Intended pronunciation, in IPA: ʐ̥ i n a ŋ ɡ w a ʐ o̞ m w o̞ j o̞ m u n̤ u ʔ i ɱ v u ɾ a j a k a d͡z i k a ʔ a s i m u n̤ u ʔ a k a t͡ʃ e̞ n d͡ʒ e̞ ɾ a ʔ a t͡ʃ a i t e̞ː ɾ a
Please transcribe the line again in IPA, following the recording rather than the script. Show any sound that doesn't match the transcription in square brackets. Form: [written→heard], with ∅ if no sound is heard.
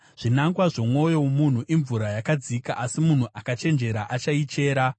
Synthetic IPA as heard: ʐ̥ i n a ŋ ɡ w a ʐ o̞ m w o̞ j o̞ m u n̤ u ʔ i ɱ v u ɾ a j a k a d͡z i k a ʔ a s i m u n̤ u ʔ a k a t͡ʃ e̞ n d͡ʒ e̞ ɾ a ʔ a t͡ʃ a i [t→t͡ʃ] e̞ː ɾ a

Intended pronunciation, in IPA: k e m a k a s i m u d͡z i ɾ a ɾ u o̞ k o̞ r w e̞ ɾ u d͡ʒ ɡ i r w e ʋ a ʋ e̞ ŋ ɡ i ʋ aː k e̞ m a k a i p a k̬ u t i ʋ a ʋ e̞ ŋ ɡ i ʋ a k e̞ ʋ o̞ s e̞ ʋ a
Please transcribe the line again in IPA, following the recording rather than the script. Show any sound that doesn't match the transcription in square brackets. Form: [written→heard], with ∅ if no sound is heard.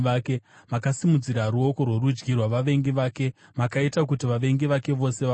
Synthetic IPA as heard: k e m a k a s i m u d͡z i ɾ a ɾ u o̞ k o̞ r w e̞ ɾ u d͡ʒ ɡ i r w [e→a] ʋ a ʋ e̞ ŋ ɡ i ʋ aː k e̞ m a k a i [p→t] a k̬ u t i ʋ a ʋ e̞ ŋ ɡ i ʋ a k e̞ ʋ o̞ s e̞ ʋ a

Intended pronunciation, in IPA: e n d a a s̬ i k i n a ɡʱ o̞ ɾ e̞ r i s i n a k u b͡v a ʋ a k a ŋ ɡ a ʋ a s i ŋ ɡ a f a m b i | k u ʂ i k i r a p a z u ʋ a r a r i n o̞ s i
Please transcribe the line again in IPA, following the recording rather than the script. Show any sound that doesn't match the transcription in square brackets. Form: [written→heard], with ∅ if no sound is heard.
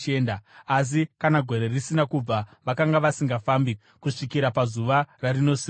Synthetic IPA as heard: e n d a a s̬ i k [i→a] n a ɡʱ o̞ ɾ e̞ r i s i n a k u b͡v a ʋ a k a ŋ ɡ a ʋ a s i ŋ ɡ a f a m b i | k u ʂ i k i [r→ɾ] a p a z u ʋ a r a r i n o̞ s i

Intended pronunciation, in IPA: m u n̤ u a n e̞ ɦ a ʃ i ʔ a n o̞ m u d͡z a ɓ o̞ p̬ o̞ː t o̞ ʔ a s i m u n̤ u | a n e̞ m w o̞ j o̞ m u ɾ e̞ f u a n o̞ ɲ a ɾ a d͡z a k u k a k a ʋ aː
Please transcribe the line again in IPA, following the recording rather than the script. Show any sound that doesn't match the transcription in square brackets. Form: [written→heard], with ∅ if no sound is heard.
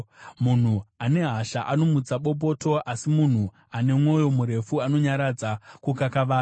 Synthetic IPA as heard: m u n̤ u a n e̞ ɦ a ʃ [i→a] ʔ a n o̞ m u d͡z a ɓ o̞ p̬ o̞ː t o̞ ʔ a s i m u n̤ u | a n e̞ m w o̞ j o̞ m u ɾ e̞ f u a n o̞ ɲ a ɾ a d͡z a k u k a k a ʋ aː

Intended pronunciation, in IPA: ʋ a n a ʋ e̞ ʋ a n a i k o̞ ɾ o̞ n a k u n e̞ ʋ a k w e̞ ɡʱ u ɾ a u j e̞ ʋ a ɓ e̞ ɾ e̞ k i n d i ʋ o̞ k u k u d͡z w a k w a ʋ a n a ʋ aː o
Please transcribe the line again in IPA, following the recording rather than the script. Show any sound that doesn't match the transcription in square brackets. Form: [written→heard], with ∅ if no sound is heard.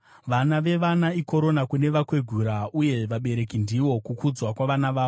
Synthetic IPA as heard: ʋ a n a ʋ e̞ ʋ a n a i k o̞ ɾ o̞ n a k u n e̞ ʋ a k w e̞ ɡʱ u ɾ a u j e̞ ʋ a ɓ e̞ ɾ e̞ k i n d i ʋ o̞ k u k u d͡z w a k w a ʋ a n a ʋ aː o

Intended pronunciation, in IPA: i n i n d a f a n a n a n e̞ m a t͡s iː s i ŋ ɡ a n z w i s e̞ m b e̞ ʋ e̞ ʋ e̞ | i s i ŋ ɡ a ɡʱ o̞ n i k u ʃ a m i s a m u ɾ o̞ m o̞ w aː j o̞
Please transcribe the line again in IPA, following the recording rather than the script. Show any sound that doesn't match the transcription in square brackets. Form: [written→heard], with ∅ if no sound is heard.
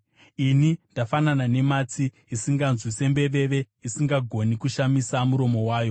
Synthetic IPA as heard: i n i n d a f a n a n a n e̞ m a t͡s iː s i ŋ ɡ a n z w i s e̞ m b e̞ ʋ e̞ ʋ e̞ | i s i ŋ ɡ a ɡʱ o̞ n i k u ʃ a m i s a m u ɾ o̞ m o̞ w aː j o̞

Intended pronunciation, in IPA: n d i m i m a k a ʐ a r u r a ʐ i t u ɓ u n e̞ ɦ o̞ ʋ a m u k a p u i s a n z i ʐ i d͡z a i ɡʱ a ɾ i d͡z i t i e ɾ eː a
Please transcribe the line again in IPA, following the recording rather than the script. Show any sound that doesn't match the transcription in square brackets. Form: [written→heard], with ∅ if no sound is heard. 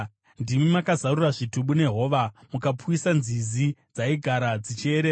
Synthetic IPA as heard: n d i m i m a k a [ʐ→z] a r u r a ʐ i t u ɓ u n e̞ ɦ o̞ ʋ a m u k a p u i s a n z i [ʐ→z] i d͡z a i ɡʱ a ɾ [i→a] d͡z i [t→t͡ʃ] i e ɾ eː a

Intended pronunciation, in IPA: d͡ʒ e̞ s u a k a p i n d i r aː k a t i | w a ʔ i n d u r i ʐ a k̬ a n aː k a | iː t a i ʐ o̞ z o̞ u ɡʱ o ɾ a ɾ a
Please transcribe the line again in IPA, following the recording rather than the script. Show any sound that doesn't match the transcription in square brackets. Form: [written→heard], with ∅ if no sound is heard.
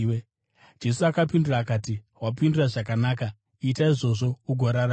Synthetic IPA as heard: d͡ʒ e̞ s u a k a p i n d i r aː k a t i | w a [ʔ→p] i n d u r [i→a] ʐ a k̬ a n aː k a | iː t a i ʐ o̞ [z→ʐ] o̞ u ɡʱ o ɾ a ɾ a

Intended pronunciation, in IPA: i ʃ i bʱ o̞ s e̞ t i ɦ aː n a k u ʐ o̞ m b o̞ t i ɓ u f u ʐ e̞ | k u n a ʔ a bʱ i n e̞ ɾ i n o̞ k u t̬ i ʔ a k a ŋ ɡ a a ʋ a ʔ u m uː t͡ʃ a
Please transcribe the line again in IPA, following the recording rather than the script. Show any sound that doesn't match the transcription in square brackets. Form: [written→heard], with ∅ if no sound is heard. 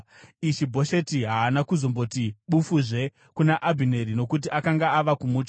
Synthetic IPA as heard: i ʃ i bʱ o̞ [s→ʃ] e̞ t i ɦ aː n a k u [ʐ→z] o̞ m b o̞ t i ɓ u f u ʐ e̞ | k u n a ʔ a bʱ i n e̞ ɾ i n o̞ k u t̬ i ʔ a k a ŋ ɡ a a ʋ a [ʔ→k] u m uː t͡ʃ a

